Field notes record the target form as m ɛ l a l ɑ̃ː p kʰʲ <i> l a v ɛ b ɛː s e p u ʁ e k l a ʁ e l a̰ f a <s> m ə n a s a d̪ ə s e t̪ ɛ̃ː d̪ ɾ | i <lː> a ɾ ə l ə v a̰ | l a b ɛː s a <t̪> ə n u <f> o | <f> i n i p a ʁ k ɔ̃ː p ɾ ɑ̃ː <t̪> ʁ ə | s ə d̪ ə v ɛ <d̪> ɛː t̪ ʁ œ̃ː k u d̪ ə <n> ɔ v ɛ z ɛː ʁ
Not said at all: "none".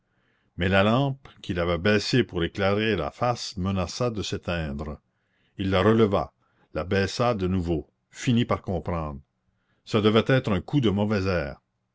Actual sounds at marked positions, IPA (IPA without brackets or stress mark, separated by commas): i, s, lː, d̪, v, f, d̪, t̪, m